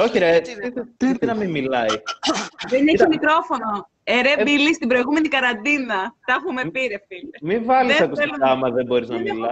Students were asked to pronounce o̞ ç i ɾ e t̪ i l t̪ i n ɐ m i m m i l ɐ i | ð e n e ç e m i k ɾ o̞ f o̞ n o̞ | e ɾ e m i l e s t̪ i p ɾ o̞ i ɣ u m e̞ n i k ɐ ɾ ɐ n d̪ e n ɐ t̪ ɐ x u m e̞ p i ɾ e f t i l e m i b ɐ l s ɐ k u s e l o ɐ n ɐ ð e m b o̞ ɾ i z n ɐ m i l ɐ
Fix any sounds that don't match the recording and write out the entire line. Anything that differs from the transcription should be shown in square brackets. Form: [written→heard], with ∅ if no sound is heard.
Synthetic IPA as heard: o̞ ç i ɾ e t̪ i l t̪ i n ɐ m i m m i l ɐ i | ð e n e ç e m i k ɾ o̞ f o̞ n o̞ | e ɾ e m i l [e→i] s t̪ i [p→b] ɾ o̞ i ɣ u m e̞ n i k ɐ ɾ ɐ n d̪ [e→i] n ɐ t̪ ɐ x u m e̞ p i ɾ e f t i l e m i [b→v] ɐ l s ɐ k u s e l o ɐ [n→m] ɐ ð e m b o̞ ɾ i z n ɐ m i l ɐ